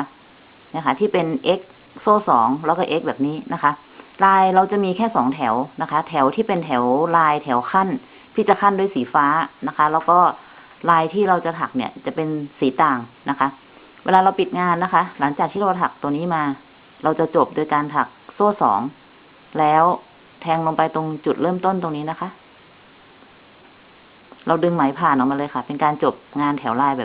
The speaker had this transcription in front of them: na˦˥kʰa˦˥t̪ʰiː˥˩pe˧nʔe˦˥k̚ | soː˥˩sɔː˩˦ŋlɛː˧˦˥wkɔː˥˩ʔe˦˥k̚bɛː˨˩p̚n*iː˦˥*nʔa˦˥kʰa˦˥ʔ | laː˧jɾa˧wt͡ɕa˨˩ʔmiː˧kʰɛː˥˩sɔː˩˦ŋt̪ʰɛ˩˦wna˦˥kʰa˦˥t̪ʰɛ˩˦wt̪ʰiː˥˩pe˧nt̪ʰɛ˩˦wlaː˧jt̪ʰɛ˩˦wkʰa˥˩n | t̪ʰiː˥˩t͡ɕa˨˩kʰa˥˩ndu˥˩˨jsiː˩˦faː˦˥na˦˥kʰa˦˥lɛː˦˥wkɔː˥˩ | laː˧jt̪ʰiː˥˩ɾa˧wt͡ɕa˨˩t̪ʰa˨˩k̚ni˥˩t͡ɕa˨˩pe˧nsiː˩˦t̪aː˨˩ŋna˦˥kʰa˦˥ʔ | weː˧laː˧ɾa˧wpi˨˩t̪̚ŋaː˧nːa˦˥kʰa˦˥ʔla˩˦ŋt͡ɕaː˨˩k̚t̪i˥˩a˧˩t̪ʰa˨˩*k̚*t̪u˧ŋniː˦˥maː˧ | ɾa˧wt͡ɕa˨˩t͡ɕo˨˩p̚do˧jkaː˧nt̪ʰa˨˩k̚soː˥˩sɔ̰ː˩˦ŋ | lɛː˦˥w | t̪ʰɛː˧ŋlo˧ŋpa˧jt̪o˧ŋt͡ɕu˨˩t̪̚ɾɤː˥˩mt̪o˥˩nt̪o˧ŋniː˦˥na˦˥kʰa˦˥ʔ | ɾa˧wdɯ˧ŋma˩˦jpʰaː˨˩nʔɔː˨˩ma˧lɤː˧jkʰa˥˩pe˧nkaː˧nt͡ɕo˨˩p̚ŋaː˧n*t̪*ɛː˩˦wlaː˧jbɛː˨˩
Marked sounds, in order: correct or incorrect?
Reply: correct, correct, incorrect

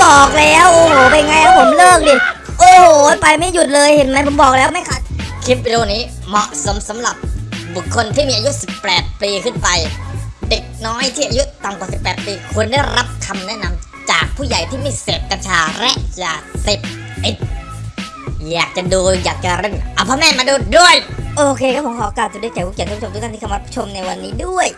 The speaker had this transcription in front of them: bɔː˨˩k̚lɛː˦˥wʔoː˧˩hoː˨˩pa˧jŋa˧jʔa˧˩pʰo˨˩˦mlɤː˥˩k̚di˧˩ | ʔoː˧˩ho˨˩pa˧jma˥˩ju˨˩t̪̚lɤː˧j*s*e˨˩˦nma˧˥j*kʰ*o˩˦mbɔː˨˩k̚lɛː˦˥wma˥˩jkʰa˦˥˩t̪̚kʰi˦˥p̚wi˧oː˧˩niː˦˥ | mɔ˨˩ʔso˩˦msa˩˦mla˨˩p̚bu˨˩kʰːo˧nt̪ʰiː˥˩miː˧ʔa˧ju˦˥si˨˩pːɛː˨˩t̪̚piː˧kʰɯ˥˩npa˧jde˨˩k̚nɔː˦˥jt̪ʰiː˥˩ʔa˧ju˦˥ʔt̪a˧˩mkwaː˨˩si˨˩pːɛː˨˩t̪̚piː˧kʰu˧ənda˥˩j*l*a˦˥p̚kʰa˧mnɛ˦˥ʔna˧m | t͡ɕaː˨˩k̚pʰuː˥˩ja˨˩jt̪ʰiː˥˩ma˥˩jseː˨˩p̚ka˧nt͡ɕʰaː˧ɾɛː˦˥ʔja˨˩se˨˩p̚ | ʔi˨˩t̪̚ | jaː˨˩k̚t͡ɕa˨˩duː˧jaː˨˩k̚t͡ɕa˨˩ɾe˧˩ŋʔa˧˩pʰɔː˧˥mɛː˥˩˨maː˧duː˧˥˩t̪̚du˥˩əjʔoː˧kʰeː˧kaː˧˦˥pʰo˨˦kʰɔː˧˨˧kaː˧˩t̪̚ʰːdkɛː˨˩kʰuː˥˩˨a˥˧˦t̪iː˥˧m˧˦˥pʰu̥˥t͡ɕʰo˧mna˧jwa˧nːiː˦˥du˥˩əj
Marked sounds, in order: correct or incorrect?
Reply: incorrect, incorrect, incorrect

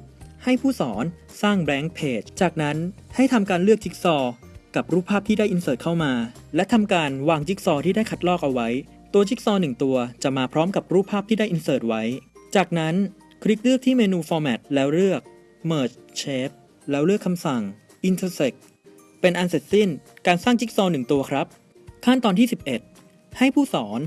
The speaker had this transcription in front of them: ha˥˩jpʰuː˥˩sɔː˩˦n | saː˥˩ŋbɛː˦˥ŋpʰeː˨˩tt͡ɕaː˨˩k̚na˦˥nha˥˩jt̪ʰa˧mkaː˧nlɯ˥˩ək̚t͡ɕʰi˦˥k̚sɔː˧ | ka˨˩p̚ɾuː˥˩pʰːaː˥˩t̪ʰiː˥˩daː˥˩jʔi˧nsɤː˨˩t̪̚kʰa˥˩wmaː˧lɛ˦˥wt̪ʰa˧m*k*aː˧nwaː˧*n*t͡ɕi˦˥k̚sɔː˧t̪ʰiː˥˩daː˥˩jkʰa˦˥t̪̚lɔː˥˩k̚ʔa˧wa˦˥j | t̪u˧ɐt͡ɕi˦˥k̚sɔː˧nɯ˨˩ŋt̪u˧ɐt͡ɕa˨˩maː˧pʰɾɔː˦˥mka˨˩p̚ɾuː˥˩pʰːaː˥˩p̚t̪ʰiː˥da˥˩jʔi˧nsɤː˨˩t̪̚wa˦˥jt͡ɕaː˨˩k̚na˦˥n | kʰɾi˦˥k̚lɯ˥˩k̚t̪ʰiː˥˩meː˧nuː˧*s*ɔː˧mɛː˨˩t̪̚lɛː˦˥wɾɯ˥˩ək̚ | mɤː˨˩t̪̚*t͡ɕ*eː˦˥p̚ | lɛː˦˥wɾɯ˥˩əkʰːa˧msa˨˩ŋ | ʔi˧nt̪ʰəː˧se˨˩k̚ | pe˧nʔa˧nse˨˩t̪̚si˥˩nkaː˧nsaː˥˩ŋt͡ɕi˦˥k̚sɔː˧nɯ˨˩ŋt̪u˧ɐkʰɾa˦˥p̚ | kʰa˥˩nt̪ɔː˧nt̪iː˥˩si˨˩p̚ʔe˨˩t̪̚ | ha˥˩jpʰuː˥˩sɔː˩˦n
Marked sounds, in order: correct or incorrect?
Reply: correct, incorrect, incorrect, incorrect

